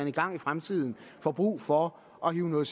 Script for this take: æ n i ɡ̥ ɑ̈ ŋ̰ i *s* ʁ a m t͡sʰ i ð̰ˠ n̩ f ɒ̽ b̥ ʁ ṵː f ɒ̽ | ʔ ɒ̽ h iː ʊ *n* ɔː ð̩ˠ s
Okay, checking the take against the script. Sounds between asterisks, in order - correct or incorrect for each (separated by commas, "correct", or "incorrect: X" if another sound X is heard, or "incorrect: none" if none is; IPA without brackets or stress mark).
incorrect: f, correct